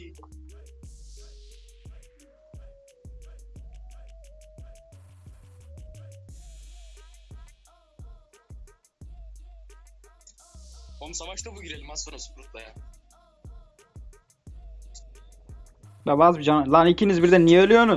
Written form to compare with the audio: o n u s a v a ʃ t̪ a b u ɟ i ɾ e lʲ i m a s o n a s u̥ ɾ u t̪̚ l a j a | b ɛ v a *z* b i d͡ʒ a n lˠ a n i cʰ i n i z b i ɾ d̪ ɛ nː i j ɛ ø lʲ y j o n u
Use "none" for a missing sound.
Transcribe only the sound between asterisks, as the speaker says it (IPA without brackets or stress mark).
z